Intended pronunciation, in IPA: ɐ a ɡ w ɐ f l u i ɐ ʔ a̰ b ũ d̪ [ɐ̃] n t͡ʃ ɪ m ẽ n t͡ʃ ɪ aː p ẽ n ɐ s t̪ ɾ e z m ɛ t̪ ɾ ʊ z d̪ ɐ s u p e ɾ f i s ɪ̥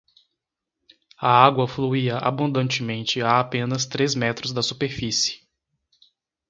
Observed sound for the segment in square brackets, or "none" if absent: ɐ̃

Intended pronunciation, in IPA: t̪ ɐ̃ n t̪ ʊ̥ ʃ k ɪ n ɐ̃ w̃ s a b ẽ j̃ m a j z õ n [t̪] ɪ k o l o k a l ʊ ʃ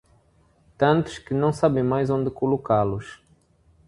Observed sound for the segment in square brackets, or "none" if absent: d̪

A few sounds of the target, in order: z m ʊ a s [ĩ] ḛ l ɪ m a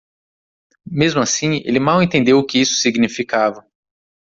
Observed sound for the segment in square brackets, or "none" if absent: ĩ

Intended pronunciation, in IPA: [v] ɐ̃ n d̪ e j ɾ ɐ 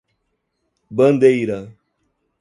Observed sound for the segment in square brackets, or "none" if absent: b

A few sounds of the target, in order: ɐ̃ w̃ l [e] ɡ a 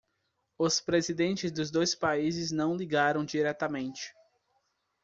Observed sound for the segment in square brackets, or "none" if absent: i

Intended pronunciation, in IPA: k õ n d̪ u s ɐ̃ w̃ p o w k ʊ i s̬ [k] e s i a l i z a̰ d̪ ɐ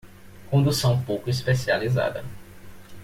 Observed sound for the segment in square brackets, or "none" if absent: p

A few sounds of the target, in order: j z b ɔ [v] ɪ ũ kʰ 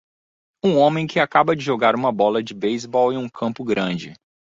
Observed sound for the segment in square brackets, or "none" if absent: w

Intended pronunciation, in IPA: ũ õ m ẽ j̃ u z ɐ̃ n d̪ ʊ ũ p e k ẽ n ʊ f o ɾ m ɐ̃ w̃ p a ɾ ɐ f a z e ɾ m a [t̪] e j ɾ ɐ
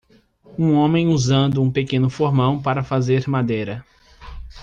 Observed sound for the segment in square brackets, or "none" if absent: d̪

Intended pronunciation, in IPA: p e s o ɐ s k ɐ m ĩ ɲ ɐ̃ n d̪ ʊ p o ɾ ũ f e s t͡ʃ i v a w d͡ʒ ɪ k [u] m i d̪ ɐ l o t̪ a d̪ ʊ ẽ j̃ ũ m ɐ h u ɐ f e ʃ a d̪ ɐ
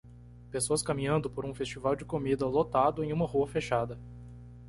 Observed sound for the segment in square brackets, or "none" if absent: o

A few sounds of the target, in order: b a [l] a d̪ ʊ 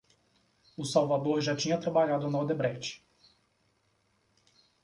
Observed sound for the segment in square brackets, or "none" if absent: ʎ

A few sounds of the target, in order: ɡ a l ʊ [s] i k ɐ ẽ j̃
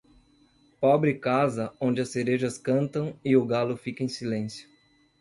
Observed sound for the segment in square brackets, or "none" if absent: f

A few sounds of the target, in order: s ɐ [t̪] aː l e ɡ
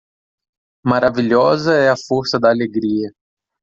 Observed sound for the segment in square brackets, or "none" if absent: d̪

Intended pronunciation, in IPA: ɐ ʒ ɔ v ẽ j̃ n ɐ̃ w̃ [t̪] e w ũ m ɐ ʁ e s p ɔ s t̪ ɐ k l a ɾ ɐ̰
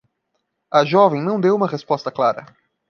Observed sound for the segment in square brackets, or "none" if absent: d̪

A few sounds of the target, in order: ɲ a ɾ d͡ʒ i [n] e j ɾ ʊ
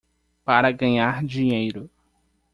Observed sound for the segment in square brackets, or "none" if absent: ɲ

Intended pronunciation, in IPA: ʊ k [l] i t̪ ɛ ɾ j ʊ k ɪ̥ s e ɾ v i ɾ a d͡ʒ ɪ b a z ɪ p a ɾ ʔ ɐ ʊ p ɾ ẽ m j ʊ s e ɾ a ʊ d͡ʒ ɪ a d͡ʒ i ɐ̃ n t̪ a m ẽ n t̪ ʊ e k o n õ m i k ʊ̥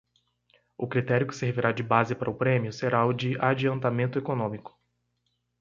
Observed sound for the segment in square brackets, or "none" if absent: ɾ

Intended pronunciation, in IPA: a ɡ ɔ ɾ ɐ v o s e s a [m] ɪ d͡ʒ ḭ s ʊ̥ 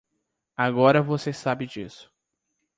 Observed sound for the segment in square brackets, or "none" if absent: b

